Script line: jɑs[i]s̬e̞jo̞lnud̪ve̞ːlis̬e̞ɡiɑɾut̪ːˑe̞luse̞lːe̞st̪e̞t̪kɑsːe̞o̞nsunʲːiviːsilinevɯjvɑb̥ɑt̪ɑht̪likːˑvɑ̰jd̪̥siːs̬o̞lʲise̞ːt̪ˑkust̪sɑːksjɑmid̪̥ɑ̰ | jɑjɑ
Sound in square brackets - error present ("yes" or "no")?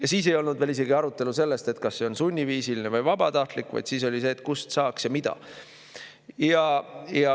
yes